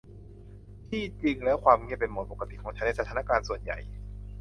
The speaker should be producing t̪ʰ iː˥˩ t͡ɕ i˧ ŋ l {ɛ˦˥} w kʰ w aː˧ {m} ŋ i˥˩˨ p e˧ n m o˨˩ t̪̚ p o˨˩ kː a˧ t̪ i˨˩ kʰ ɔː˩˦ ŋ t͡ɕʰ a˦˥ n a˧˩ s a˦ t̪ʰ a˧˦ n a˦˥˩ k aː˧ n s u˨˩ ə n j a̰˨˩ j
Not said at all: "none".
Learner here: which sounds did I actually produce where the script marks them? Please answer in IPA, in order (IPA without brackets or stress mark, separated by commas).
ɛ˦˥, m